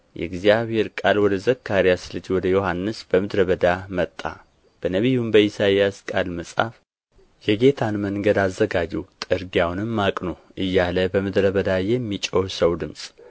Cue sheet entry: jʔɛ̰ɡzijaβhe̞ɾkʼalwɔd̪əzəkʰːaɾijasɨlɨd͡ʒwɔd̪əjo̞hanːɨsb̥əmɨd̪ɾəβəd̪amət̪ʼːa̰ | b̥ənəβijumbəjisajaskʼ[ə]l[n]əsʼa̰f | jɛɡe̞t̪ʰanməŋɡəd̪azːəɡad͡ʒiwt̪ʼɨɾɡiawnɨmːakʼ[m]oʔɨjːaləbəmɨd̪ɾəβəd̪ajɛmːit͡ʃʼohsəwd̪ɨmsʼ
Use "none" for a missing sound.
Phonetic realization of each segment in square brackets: a, m, n

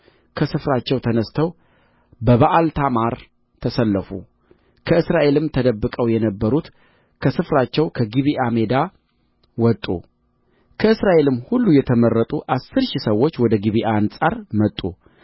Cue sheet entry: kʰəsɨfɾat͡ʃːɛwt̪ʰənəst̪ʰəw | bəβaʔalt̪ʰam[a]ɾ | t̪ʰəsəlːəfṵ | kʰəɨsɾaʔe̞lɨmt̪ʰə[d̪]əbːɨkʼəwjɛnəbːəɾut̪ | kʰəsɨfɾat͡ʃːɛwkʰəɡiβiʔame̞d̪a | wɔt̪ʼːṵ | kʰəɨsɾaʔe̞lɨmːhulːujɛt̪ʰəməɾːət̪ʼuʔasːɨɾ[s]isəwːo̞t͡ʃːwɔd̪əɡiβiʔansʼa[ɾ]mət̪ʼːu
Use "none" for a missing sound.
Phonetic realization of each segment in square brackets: a, d̪, ʃ, ɾ

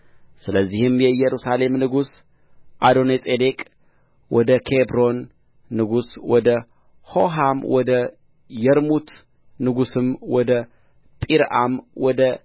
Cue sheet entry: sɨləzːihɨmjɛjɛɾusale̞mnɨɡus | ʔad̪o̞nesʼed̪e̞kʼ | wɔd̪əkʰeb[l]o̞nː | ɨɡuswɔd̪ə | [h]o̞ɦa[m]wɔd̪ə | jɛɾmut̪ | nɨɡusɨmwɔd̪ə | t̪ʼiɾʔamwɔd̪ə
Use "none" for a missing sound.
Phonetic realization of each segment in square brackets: ɾ, h, m

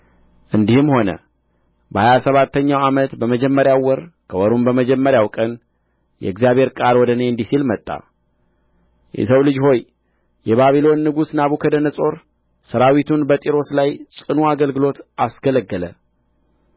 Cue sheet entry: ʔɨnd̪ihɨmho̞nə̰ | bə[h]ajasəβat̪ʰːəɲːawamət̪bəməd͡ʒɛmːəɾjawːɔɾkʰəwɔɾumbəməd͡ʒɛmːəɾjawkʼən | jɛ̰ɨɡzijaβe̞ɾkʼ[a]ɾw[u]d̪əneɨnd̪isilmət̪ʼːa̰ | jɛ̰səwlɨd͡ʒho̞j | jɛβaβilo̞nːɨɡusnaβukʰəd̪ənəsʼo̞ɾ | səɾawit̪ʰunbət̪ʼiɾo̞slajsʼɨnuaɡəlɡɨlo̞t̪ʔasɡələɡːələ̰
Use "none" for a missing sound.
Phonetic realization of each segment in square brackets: h, a, ɔ

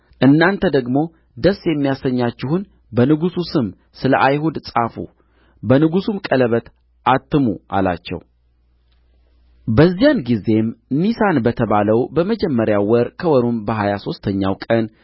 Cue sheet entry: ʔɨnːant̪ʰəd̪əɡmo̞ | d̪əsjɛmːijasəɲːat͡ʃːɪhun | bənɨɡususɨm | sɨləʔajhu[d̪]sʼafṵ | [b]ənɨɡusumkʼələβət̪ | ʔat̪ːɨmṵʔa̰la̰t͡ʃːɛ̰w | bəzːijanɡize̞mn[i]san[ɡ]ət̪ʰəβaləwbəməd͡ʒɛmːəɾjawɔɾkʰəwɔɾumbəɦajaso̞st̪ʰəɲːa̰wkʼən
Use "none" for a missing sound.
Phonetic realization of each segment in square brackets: d̪, b, i, b

